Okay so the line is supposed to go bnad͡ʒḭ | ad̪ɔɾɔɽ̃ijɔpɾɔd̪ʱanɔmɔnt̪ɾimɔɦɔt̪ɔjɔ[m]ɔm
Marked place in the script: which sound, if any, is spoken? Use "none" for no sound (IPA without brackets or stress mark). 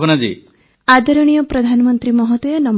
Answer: n